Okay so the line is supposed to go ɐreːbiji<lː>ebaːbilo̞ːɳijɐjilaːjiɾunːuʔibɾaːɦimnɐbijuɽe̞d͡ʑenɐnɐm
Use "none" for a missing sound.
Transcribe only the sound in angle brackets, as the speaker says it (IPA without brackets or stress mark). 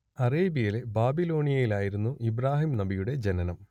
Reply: l